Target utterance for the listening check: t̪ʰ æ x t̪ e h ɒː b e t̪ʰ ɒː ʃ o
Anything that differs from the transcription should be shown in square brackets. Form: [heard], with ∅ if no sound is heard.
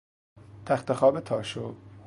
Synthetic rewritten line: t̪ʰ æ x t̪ e [x] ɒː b e t̪ʰ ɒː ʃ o